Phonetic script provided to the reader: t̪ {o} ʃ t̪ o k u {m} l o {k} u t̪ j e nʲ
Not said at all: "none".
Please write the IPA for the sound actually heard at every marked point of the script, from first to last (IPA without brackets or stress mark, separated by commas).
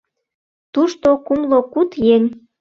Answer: u, m, k